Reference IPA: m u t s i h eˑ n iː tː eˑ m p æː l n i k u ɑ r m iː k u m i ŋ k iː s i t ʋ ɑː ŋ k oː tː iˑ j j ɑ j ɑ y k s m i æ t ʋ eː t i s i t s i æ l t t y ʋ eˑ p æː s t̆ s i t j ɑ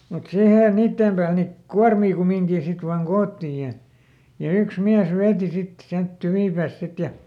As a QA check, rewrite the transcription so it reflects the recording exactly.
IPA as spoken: m u t s i h eˑ n iː tː eˑ m p æː l n i k u ɑ r m iː k u m i ŋ k iː s i t ʋ ɑː ŋ k oː tː iˑ j j ɑ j ɑ y k s m i æ s ʋ eː t i s i t s i æ l t t y ʋ iˑ p æː s t̆ s i t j ɑ